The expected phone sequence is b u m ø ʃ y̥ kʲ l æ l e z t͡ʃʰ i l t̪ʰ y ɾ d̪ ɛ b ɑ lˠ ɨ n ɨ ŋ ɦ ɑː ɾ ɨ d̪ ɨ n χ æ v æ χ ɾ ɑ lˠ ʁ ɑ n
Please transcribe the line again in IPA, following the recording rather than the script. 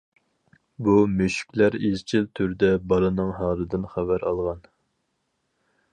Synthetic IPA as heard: b u m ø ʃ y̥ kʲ l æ ɾ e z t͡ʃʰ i l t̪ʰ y ɾ d̪ ɛ b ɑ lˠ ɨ n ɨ ŋ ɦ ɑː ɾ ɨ d̪ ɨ n χ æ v æ ɾ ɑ lˠ ʁ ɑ n